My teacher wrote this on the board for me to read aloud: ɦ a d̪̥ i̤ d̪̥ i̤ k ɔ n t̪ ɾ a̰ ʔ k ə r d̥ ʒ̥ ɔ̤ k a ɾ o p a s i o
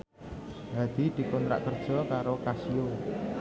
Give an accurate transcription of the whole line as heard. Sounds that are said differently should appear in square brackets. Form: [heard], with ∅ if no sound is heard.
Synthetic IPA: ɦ a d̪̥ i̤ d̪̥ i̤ k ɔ n t̪ ɾ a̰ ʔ k ə r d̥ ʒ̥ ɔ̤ k a ɾ o [k] a s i o